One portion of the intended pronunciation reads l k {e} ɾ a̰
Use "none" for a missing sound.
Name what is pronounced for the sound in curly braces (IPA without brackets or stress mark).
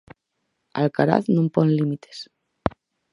a